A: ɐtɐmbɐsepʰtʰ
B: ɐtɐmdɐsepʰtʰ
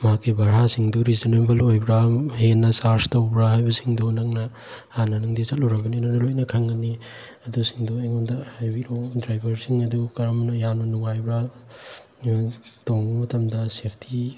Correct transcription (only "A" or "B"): B